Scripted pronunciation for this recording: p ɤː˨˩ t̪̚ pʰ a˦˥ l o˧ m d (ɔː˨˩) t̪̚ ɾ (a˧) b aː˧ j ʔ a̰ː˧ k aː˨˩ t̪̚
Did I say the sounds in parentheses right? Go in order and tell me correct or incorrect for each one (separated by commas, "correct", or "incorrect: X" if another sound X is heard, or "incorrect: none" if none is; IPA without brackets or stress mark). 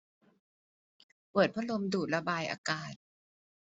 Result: incorrect: uː˨˩, correct